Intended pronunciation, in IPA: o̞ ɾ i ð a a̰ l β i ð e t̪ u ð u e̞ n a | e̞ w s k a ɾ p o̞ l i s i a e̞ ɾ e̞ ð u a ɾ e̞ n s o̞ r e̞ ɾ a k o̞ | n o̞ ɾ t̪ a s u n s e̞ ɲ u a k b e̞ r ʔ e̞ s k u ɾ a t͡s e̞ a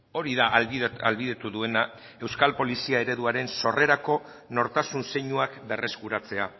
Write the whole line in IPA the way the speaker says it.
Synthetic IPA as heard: o̞ ɾ i ð a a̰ l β i ð e t̪ u ð u e̞ n a | e̞ w s k a l p o̞ l i s i a e̞ ɾ e̞ ð u a ɾ e̞ n s o̞ r e̞ ɾ a k o̞ | n o̞ ɾ t̪ a s u n s e̞ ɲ u a k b e̞ r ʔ e̞ s k u ɾ a t͡s e̞ a